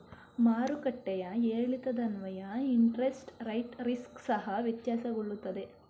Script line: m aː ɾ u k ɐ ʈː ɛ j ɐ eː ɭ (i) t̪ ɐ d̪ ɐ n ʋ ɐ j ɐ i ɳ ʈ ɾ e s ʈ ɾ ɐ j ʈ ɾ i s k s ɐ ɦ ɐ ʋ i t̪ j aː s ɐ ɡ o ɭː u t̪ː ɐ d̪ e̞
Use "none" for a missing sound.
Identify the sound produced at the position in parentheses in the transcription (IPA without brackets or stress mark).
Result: i